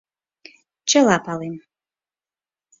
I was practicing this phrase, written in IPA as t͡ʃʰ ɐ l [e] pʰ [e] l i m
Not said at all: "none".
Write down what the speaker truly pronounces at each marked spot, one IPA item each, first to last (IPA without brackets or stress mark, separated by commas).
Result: a, a